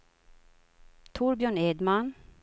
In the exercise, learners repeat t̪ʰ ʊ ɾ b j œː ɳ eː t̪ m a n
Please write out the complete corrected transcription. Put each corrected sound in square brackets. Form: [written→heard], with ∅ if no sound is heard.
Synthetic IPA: t̪ʰ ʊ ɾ b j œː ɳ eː [t̪→d̪] m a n